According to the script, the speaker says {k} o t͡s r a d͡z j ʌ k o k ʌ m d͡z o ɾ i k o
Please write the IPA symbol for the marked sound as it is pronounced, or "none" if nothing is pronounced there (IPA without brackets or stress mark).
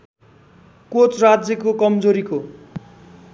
k